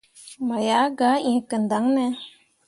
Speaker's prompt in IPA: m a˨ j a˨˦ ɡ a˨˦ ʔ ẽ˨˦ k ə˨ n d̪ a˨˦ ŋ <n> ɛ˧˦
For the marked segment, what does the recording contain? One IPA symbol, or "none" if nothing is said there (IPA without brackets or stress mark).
n